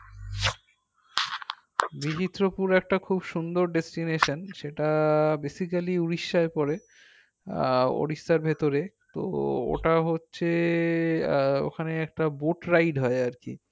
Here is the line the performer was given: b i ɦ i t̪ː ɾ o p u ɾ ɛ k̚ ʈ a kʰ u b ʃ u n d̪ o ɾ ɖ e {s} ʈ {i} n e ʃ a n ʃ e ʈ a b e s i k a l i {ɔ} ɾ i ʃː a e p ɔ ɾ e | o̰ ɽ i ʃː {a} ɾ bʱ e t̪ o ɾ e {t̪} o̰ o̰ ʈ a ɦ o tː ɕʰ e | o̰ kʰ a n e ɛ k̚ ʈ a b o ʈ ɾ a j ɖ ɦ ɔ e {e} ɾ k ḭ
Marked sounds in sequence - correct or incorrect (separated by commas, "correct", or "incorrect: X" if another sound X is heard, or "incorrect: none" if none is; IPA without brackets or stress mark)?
correct, correct, incorrect: u, correct, correct, incorrect: a